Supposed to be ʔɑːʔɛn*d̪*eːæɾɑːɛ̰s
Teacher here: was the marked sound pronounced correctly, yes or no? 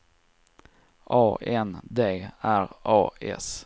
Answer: yes